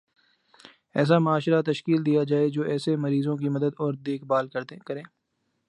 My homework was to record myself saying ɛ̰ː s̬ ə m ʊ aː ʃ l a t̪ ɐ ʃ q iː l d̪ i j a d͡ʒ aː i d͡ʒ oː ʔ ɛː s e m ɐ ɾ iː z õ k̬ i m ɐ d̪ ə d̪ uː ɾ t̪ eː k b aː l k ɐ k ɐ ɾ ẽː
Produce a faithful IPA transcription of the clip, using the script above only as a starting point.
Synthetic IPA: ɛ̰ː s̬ a m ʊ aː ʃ ɾ a t̪ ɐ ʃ k iː l d̪ i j a d͡ʒ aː e d͡ʒ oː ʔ ɛː s e m ɐ ɾ iː z õ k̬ i m ɐ d̪ ə d̪ ɔː ɾ d̪ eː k b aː l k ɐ k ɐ ɾ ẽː

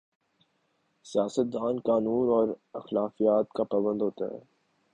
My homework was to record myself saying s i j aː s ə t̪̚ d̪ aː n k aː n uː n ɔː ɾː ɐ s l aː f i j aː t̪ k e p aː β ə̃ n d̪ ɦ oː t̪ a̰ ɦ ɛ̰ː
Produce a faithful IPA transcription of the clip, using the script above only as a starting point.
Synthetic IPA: s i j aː s ə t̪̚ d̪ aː n k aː n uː n ɔː ɾ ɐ x l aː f i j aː t̪ k a p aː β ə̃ n d̪ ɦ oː t̪ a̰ ɦ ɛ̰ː

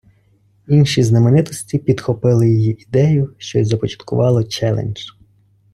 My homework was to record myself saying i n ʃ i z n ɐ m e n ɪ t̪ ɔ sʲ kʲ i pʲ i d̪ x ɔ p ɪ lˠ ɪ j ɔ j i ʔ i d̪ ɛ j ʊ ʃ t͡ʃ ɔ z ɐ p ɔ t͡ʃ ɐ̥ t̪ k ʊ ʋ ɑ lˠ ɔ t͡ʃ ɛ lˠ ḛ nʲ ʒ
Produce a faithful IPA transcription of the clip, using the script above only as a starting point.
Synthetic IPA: i n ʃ i z n ɐ m e n ɪ t̪ ɔ sʲ tʲ i pʲ i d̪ x ɔ p ɪ lˠ ɪ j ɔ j i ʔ i d̪ ɛ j ʊ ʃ t͡ʃ ɔ z ɐ p ɔ t͡ʃ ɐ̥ t̪ k ʊ ʋ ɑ lˠ ɔ t͡ʃ ɛ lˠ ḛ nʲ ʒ

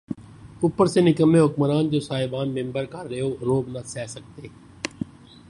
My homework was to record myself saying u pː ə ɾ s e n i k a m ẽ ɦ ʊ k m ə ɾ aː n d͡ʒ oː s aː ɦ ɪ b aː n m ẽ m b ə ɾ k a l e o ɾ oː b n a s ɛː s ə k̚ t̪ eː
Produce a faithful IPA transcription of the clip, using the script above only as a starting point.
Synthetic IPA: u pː ə ɾ s e n ɪ k ə m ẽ ɦ ʊ k m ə ɾ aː n d͡ʒ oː s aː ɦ ɪ b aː n m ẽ m b ə ɾ k a ɾ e o ɾ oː b n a s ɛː s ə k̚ t̪ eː

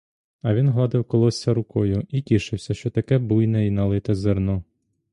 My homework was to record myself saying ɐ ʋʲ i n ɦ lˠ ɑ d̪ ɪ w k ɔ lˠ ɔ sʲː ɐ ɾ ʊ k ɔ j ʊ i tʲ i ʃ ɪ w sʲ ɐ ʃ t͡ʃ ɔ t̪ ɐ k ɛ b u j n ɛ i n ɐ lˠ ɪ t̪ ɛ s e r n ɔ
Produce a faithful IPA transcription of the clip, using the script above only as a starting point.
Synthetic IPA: ɐ ʋʲ i n ɦ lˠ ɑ d̪ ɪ w k ɔ lˠ ɔ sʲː ɐ ɾ ʊ k ɔ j ʊ i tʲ i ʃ ɪ w sʲ ɐ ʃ t͡ʃ ɔ t̪ ɐ k ɛ b u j n ɛ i n ɐ lˠ ɪ t̪ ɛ z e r n ɔ

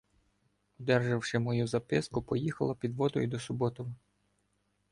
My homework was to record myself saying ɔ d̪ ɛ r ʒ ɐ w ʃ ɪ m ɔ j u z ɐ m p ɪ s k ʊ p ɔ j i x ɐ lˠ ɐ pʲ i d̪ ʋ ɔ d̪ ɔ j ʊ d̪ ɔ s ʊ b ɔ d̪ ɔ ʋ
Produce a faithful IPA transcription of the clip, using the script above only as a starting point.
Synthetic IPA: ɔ d̪ ɛ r ʒ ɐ w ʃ ɪ m ɔ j u z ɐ p ɪ s k ʊ p ɔ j i x ɐ lˠ ɐ pʲ i d̪ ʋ ɔ d̪ ɔ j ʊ d̪ ɔ s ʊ b ɔ t̪ ɔ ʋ

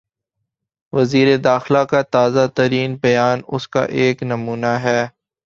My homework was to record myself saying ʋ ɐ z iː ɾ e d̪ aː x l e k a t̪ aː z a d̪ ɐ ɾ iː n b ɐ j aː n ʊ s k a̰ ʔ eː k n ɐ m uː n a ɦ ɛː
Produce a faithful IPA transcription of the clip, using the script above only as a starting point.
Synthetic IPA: ʋ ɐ z iː ɾ e d̪ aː x l a k a t̪ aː z a t̪ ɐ ɾ iː n b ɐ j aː n ʊ s k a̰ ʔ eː k n ɐ m uː n a ɦ ɛː

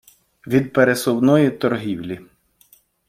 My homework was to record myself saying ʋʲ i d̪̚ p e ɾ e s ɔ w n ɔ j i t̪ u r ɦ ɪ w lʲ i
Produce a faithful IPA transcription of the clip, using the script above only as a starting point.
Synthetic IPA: ʋʲ i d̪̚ p e ɾ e s ɔ w n ɔ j i t̪ ɔ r ɦ i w lʲ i

